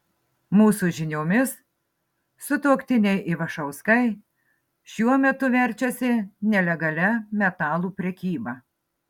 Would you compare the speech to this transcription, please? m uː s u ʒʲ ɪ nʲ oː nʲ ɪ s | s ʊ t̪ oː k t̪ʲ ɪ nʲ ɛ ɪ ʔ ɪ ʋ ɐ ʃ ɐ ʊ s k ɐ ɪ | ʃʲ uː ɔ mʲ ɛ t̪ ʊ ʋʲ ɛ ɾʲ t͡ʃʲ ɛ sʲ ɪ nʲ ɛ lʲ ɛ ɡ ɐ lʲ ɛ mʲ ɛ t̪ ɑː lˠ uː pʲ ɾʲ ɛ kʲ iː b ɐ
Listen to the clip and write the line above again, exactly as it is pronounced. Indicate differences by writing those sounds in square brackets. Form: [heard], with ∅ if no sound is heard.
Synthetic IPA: m uː s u ʒʲ ɪ nʲ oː [mʲ] ɪ s | s ʊ t̪ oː k t̪ʲ ɪ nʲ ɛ ɪ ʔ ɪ ʋ ɐ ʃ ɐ ʊ s k ɐ ɪ | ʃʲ [u] ɔ mʲ ɛ t̪ ʊ ʋʲ ɛ ɾʲ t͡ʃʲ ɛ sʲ ɪ nʲ ɛ lʲ ɛ ɡ ɐ lʲ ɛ mʲ ɛ t̪ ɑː lˠ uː pʲ ɾʲ ɛ kʲ iː b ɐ